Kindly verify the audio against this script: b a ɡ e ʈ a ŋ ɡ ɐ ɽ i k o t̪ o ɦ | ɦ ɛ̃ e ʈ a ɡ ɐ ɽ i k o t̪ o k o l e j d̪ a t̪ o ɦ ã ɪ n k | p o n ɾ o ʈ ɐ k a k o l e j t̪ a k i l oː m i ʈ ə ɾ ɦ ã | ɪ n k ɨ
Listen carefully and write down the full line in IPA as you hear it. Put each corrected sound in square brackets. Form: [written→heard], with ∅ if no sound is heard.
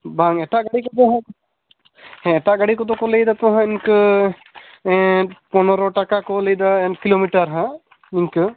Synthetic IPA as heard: b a [ɡ→ŋ] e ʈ a [ŋ→∅] ɡ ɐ ɽ i k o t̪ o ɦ | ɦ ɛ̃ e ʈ a ɡ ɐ ɽ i k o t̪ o k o l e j d̪ a t̪ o ɦ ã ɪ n k | p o n ɾ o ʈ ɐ k a k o l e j [t̪→d̪] a k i l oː m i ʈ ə ɾ ɦ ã | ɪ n k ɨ